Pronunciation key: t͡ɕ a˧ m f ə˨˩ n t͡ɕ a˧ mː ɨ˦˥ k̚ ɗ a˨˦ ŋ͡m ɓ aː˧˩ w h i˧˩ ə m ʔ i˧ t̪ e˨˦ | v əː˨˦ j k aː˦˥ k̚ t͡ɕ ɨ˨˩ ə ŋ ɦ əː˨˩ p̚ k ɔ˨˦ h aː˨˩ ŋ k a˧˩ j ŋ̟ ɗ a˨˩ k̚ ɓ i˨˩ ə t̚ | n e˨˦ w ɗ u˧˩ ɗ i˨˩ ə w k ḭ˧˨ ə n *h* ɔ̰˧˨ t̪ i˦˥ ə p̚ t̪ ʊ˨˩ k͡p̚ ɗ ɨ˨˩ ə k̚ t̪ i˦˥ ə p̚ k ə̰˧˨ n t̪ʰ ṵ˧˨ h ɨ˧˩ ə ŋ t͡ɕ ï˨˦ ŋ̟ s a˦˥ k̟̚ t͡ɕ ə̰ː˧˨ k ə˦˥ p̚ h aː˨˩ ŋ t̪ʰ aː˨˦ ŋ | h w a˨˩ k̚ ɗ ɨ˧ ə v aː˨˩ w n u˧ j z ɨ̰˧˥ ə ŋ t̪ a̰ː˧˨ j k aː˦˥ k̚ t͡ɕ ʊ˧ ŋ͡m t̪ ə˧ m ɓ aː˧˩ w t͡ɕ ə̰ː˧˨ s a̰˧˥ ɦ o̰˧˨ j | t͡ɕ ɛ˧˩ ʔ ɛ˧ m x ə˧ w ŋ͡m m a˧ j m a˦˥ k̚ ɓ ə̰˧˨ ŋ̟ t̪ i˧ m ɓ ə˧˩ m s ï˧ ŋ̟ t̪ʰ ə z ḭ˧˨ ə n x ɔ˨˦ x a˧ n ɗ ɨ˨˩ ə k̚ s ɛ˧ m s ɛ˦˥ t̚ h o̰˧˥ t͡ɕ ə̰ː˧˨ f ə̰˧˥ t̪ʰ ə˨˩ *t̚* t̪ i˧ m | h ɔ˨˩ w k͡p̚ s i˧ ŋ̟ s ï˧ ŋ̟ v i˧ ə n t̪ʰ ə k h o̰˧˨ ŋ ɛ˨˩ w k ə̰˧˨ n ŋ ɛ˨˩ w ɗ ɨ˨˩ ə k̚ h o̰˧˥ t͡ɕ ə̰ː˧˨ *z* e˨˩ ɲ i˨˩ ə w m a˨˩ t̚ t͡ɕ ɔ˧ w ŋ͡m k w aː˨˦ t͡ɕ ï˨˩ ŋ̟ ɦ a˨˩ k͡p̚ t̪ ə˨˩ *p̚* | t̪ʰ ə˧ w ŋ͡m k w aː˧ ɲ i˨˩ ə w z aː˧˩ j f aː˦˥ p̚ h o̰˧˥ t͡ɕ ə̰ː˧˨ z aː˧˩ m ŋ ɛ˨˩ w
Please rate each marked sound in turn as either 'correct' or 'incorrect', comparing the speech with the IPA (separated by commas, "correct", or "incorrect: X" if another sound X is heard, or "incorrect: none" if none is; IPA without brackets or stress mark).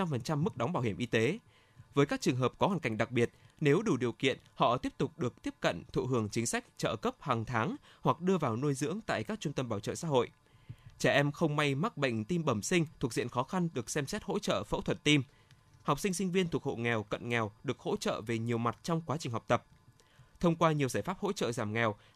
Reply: correct, correct, incorrect: v, correct